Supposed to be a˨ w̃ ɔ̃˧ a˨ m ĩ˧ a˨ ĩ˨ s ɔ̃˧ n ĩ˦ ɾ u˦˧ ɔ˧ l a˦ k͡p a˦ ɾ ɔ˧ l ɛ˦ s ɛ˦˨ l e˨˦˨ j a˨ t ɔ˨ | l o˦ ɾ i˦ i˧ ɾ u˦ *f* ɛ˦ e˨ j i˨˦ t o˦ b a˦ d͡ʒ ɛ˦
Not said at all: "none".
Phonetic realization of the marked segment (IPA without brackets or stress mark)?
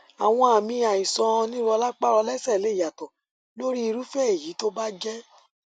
f